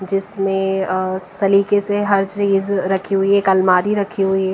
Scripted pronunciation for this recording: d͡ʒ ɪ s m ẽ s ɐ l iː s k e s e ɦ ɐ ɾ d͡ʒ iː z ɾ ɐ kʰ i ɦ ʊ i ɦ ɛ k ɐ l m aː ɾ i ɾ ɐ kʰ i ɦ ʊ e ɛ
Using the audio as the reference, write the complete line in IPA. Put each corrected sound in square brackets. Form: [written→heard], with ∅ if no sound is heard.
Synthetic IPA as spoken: d͡ʒ ɪ s m ẽ s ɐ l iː [s→∅] k e s e ɦ ɐ ɾ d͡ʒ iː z ɾ ɐ kʰ i ɦ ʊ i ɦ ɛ k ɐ l m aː ɾ i ɾ ɐ kʰ i ɦ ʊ [e→i] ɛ

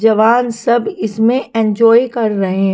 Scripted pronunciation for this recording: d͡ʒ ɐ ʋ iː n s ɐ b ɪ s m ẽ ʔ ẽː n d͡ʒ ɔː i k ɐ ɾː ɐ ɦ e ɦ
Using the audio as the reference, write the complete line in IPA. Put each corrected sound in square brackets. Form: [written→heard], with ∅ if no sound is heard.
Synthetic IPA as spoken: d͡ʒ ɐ ʋ [iː→aː] n s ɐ b ɪ s m ẽ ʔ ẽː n d͡ʒ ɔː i k ɐ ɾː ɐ ɦ e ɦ

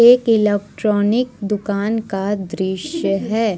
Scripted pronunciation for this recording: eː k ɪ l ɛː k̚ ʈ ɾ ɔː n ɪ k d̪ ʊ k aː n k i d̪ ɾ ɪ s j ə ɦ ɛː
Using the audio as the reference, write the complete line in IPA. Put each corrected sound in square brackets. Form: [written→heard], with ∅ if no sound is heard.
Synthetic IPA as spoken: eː k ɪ l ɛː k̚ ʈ ɾ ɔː n ɪ k d̪ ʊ k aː n k [i→a] d̪ ɾ ɪ [s→ʃ] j ə ɦ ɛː

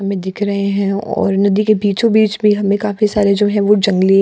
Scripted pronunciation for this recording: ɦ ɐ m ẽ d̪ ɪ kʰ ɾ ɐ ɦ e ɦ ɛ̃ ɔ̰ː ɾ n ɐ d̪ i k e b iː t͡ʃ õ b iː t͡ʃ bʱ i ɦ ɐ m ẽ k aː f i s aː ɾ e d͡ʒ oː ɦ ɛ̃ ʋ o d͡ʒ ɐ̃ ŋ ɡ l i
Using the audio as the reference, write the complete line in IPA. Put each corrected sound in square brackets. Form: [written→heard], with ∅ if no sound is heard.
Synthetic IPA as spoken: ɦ ɐ m ẽ d̪ ɪ kʰ ɾ ɐ ɦ e ɦ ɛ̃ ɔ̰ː ɾ n ɐ d̪ i k e b iː t͡ʃ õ b iː t͡ʃ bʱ i ɦ ɐ m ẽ k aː f i s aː ɾ e d͡ʒ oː ɦ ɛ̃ ʋ o d͡ʒ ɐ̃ ŋ ɡ l i

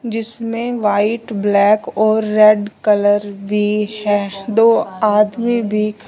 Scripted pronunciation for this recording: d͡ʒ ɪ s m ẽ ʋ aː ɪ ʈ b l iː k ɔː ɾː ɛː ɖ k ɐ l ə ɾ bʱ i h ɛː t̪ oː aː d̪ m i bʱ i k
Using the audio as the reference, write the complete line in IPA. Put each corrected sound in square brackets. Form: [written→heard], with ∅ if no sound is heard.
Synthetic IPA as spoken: d͡ʒ ɪ s m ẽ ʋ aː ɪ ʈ b l [iː→ɛː] k ɔː ɾː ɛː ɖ k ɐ l ə ɾ bʱ i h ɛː [t̪→d̪] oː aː d̪ m i bʱ i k

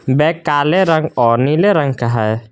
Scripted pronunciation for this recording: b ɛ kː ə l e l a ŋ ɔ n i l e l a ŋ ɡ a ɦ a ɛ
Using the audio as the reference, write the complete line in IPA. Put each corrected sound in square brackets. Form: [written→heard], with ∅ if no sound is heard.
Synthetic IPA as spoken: b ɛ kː [ə→a] l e [l→ɾ] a ŋ ɔ n i l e [l→ɾ] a ŋ [ɡ→k] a ɦ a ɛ

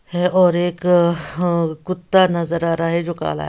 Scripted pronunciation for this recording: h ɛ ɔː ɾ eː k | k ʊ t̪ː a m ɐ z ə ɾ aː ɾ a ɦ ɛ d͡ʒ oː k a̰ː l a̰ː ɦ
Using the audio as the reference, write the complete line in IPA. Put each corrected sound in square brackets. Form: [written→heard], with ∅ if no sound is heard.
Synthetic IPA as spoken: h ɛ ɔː ɾ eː k | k ʊ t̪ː a [m→n] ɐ z ə ɾ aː ɾ a ɦ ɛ d͡ʒ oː k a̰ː l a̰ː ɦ

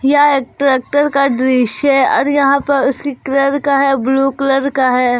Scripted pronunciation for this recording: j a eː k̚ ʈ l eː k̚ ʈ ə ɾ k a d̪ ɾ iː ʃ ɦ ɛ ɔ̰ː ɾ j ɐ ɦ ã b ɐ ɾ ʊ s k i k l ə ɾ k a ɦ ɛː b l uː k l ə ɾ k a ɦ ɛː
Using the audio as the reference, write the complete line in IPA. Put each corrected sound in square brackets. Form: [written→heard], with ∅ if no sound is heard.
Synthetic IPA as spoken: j a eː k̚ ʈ [l→ɾ] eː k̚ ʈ ə ɾ k a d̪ ɾ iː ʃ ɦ ɛ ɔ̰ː ɾ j ɐ ɦ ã [b→p] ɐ ɾ ʊ s k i k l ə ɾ k a ɦ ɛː b l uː k l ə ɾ k a ɦ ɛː

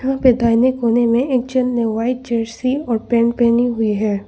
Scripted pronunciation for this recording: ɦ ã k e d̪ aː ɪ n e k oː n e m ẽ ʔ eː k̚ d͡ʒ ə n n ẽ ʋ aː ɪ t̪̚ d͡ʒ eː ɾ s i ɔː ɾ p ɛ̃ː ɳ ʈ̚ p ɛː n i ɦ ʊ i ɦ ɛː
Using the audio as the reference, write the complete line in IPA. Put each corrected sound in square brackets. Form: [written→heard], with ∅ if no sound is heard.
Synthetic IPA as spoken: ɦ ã [k→p] e d̪ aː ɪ n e k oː n e m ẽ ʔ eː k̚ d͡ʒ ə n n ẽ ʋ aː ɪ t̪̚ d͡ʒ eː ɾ s i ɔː ɾ p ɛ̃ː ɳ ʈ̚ p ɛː n i ɦ ʊ i ɦ ɛː

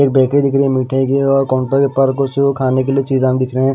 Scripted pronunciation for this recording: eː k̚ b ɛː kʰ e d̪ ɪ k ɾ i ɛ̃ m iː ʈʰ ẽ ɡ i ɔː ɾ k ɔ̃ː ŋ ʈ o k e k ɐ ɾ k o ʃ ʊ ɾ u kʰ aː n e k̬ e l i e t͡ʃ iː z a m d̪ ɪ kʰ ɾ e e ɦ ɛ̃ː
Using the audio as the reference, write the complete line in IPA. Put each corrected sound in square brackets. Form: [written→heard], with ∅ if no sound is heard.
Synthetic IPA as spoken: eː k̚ b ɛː [kʰ→k] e d̪ ɪ k ɾ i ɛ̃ m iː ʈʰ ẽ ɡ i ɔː ɾ k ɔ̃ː [ŋ→ɳ] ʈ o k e [k→p] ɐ ɾ k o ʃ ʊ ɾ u kʰ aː n e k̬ e l i e t͡ʃ iː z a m d̪ ɪ kʰ ɾ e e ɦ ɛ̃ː

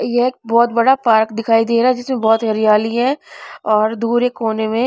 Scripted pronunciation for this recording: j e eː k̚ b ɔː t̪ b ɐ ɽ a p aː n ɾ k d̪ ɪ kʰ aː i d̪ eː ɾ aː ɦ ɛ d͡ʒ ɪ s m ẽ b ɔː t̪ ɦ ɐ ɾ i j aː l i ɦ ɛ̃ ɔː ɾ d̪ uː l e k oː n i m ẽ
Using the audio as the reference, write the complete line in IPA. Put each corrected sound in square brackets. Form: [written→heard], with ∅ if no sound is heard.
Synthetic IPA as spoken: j e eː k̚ b ɔː t̪ b ɐ ɽ a p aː [n→∅] ɾ k d̪ ɪ kʰ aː i d̪ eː ɾ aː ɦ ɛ d͡ʒ ɪ s m ẽ b ɔː t̪ ɦ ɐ ɾ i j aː l i ɦ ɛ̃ ɔː ɾ d̪ uː [l→ɾ] e k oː n [i→e] m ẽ

